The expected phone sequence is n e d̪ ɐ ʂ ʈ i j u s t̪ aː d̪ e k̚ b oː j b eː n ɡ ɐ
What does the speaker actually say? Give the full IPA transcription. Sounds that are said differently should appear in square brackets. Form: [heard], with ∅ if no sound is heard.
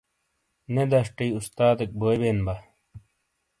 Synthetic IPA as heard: n e d̪ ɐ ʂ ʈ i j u s t̪ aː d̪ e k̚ b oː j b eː n [b] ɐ